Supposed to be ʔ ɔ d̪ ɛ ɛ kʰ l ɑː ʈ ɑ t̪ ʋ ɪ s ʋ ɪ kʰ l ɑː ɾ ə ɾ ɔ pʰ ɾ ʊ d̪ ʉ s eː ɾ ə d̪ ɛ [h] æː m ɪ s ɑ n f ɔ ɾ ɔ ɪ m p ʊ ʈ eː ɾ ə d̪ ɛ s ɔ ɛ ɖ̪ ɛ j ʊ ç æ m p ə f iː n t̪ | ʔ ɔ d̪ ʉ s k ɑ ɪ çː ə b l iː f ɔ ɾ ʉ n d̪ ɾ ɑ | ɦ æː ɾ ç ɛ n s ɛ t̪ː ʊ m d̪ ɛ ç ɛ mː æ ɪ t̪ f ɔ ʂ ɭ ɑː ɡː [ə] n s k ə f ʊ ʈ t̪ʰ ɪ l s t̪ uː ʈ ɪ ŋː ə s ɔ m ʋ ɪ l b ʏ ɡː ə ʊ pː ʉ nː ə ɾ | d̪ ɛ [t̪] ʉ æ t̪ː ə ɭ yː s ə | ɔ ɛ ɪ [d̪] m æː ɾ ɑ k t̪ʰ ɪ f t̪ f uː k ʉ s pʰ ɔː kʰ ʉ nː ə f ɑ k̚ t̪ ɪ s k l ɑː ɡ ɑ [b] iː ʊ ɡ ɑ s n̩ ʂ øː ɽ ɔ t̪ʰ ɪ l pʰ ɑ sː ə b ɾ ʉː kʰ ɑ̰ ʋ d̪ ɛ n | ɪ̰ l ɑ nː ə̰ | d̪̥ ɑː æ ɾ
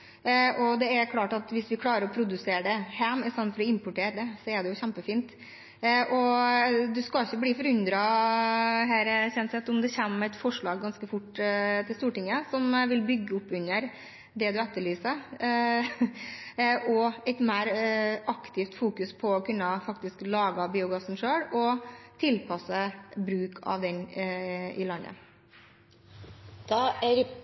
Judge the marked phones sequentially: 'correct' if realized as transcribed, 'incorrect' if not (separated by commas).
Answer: correct, incorrect, incorrect, incorrect, correct